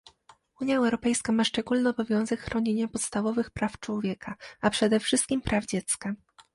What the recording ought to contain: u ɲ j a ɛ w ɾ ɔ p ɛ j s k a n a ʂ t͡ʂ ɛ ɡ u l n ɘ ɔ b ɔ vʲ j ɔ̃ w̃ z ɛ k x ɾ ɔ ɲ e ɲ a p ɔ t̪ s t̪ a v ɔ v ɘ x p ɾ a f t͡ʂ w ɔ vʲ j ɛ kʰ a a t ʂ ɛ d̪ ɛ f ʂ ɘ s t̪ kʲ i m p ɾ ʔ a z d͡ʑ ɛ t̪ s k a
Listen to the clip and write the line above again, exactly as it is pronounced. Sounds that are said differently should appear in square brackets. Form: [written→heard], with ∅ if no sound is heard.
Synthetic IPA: u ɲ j a ɛ w ɾ ɔ p ɛ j s k a [n→m] a ʂ t͡ʂ ɛ ɡ u l n ɘ ɔ b ɔ vʲ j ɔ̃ w̃ z ɛ k x ɾ ɔ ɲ e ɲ a p ɔ t̪ s t̪ a v ɔ v ɘ x p ɾ a f t͡ʂ w ɔ vʲ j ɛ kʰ a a [t→p] ʂ ɛ d̪ ɛ f ʂ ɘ s t̪ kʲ i m p ɾ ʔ a [z→v] d͡ʑ ɛ t̪ s k a